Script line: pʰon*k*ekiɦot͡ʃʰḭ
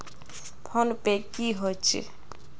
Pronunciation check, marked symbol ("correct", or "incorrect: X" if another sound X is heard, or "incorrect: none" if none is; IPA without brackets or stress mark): incorrect: p